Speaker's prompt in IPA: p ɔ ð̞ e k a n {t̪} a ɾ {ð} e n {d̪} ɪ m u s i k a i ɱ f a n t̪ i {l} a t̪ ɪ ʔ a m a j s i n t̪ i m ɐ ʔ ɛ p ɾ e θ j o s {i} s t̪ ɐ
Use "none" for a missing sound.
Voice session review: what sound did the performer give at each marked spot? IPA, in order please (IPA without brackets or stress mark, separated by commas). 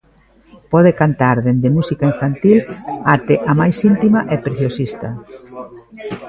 t̪, ð, d̪, l, i